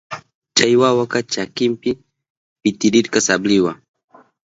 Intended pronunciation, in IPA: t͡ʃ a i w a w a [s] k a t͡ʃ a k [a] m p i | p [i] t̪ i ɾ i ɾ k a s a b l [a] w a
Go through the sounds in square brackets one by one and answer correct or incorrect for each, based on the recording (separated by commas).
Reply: incorrect, incorrect, correct, incorrect